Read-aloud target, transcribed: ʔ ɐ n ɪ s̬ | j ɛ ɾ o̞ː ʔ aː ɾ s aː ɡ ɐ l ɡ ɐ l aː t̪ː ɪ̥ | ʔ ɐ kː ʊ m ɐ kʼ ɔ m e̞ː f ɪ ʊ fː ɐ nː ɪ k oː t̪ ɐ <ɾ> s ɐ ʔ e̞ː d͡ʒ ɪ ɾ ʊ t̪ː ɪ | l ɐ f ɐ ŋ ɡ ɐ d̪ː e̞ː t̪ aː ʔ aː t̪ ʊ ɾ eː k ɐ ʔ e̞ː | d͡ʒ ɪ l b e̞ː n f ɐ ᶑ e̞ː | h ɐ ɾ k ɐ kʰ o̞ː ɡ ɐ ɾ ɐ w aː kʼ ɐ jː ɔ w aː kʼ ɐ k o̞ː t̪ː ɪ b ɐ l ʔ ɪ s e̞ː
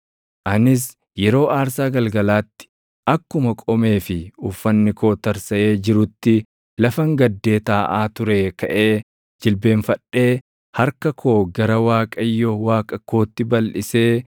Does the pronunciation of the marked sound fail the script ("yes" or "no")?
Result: no